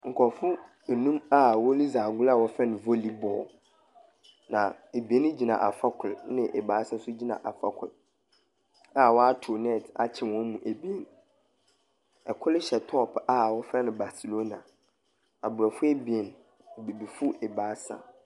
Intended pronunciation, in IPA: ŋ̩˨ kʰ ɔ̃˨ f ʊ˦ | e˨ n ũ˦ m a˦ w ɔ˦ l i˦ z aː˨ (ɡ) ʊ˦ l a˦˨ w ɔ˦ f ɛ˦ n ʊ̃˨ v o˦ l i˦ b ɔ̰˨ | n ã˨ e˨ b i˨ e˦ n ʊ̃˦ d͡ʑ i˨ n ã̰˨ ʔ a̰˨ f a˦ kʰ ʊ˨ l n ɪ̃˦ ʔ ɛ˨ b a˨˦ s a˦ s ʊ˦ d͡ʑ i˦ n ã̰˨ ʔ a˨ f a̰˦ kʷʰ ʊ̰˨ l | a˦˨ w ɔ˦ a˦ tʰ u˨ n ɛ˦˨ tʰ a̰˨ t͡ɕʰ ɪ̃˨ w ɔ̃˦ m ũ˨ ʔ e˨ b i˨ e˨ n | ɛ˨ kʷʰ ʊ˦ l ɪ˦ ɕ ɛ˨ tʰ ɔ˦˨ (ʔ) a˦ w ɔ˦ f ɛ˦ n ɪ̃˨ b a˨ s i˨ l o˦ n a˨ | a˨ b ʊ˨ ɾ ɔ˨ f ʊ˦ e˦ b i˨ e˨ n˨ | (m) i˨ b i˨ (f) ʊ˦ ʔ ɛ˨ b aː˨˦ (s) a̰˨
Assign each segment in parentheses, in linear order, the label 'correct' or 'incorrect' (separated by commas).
correct, incorrect, incorrect, correct, correct